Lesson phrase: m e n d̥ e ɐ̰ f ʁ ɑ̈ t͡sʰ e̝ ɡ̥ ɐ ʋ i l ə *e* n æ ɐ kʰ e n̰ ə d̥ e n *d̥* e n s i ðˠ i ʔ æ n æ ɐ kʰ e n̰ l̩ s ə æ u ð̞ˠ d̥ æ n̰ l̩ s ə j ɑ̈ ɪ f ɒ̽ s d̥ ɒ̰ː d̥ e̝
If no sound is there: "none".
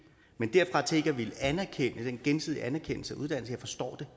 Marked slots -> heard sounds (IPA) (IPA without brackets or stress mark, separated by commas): æ, ɡ̥